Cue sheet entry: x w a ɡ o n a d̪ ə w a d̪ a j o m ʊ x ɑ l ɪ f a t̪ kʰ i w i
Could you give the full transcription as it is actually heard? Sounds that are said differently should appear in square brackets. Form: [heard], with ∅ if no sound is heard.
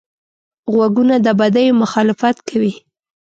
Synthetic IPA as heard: [ɣ] w a ɡ [u] n a d̪ ə [b] a d̪ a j o m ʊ x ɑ l ɪ f a t̪ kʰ [a] w i